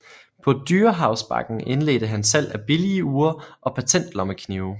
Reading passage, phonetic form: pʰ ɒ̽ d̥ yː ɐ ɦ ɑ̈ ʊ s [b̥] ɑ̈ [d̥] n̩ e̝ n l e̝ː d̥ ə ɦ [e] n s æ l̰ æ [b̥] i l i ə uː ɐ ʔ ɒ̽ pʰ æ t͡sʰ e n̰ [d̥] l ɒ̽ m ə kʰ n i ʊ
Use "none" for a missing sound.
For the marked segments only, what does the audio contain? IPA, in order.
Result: b̥, ɡ̥, æ, b̥, d̥

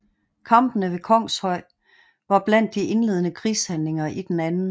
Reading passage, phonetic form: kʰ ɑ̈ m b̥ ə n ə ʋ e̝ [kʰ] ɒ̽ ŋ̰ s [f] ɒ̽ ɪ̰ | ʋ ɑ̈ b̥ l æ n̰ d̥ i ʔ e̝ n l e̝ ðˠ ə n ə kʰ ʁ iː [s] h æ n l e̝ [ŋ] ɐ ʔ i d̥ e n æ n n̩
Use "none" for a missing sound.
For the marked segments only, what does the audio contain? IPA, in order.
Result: kʰ, h, s, ŋ

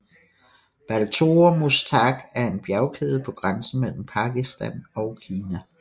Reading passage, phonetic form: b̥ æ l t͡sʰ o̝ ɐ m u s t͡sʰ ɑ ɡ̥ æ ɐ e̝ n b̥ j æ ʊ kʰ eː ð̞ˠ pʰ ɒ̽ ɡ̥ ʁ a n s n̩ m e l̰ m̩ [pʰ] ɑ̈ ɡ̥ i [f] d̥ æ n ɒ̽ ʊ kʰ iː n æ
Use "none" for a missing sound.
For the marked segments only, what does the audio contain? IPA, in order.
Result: pʰ, s

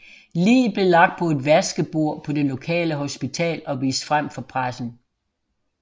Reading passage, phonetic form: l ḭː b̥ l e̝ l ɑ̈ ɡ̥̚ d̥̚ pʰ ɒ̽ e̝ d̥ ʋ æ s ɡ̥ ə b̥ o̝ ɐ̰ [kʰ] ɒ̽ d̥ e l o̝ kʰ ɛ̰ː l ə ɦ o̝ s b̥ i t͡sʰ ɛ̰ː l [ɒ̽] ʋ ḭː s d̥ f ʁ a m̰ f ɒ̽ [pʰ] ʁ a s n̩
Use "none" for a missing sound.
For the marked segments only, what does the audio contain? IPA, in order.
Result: pʰ, ɒ̽, pʰ

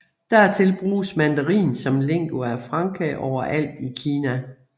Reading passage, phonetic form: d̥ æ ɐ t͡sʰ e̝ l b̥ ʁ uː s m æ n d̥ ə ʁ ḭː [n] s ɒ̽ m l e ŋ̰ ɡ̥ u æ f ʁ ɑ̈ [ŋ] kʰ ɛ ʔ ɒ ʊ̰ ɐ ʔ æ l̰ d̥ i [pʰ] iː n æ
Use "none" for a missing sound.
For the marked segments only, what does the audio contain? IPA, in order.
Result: n, ŋ, kʰ

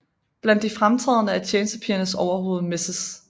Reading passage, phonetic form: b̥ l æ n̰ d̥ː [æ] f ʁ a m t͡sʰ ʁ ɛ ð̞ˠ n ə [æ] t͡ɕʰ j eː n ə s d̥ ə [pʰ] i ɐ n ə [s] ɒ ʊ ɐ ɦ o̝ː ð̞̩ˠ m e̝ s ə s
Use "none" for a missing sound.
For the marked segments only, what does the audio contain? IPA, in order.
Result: i, æ, pʰ, s

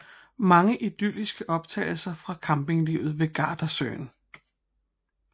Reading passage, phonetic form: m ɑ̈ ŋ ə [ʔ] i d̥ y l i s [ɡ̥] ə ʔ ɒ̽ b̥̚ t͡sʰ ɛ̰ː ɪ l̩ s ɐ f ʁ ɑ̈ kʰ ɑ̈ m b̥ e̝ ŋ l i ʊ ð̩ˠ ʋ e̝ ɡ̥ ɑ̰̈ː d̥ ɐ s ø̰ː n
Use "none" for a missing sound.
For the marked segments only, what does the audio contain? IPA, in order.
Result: ʔ, ɡ̥

